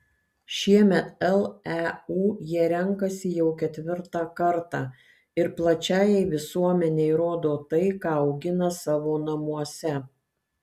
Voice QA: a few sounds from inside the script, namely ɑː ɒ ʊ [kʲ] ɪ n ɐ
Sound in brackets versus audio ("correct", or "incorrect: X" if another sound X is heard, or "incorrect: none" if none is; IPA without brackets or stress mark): incorrect: ɡʲ